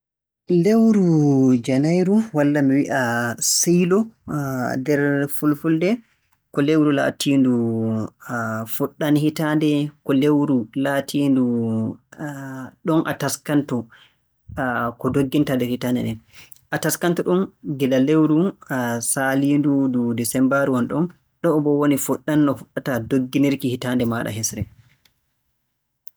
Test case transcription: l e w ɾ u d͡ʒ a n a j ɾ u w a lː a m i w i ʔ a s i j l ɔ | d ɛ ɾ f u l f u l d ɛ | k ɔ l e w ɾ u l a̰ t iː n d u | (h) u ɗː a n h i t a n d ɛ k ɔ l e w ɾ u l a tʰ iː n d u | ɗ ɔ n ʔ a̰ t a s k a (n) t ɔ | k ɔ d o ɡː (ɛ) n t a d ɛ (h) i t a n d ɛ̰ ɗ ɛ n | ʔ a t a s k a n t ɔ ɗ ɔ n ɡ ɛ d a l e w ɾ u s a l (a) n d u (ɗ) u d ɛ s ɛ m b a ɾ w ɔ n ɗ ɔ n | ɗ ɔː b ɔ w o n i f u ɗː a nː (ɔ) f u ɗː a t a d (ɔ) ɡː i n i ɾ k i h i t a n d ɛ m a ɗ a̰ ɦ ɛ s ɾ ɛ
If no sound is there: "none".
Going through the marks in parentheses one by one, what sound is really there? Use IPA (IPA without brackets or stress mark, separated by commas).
f, n, i, h, i, d, ɔ, o